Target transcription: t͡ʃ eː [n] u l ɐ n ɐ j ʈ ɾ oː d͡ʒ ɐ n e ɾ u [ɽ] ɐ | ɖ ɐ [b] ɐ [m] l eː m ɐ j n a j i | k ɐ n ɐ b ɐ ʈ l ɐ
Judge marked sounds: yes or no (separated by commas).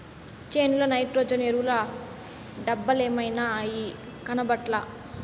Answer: yes, no, no, no